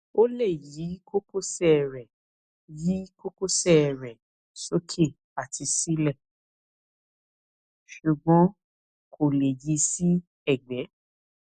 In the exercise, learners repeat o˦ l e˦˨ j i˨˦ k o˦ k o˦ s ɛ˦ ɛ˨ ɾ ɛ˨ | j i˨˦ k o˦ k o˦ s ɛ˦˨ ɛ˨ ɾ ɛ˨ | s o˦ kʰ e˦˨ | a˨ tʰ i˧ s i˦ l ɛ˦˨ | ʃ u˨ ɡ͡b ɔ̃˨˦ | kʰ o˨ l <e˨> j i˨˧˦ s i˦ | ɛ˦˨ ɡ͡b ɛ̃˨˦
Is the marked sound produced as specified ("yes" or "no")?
yes